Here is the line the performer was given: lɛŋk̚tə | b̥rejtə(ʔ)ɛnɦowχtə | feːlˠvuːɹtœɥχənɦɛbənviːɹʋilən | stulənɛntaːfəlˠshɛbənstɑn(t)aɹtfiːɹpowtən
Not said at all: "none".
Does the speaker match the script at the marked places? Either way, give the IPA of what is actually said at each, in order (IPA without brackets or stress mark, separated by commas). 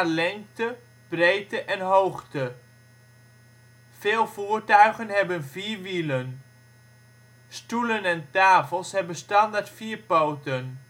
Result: ʔ, d